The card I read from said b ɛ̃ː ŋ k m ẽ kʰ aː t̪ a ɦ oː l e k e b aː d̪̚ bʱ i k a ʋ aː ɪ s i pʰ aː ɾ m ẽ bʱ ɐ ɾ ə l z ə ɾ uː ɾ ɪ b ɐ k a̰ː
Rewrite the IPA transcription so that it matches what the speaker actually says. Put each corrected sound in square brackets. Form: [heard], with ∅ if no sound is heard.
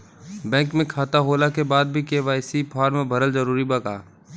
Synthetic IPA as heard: b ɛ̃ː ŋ k m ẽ kʰ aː t̪ a ɦ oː l [a] k e b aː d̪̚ bʱ i k [e] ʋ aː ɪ s i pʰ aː ɾ m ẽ bʱ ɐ ɾ ə l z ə ɾ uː ɾ [i] b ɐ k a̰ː